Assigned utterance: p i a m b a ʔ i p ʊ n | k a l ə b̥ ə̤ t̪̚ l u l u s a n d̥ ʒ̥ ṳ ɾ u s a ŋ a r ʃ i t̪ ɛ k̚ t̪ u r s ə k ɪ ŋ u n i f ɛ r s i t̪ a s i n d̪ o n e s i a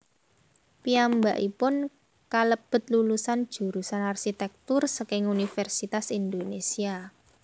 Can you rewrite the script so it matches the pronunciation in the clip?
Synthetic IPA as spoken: p i a m b a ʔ i p ʊ n | k a l ə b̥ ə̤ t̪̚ l u l u s a n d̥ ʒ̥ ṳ ɾ u s a n a r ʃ i t̪ ɛ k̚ t̪ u r s ə k ɪ ŋ u n i f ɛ r s i t̪ a s i n d̪ o n e s i a